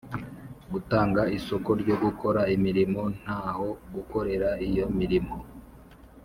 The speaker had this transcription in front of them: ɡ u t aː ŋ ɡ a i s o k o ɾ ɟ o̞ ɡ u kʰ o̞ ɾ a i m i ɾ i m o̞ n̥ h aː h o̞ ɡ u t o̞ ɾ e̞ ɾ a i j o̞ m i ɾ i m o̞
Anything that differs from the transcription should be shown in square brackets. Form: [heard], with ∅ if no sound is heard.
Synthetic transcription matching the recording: ɡ u t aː ŋ ɡ a i s o k o ɾ ɟ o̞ ɡ u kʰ o̞ ɾ a i m i ɾ i m o̞ n̥ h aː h o̞ ɡ u [k] o̞ ɾ e̞ ɾ a i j o̞ m i ɾ i m o̞